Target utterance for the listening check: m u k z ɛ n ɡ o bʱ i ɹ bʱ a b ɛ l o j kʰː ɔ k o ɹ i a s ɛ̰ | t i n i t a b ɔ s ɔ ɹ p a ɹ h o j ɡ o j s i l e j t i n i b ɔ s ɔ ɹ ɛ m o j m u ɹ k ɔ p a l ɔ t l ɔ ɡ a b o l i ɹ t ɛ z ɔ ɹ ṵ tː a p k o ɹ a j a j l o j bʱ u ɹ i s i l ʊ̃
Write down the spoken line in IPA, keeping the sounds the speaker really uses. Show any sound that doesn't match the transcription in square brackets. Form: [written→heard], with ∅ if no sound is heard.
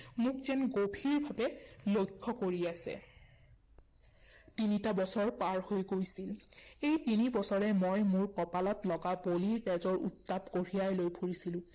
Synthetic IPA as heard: m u k z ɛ n ɡ o bʱ i ɹ bʱ a b ɛ l o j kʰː ɔ k o ɹ i a s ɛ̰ | t i n i t a b ɔ s ɔ ɹ p a ɹ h o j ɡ o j s i l e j t i n i b ɔ s ɔ ɹ ɛ m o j m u ɹ k ɔ p a l ɔ t l ɔ ɡ a b o l i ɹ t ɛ z ɔ ɹ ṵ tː a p k o ɹ [a→i] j a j l o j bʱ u ɹ i s i l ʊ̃